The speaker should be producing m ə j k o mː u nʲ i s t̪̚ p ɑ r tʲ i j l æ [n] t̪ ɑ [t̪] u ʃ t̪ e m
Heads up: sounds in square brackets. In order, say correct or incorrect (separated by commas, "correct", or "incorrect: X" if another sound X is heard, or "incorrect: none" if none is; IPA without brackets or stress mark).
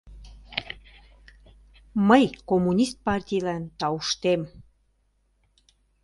correct, incorrect: none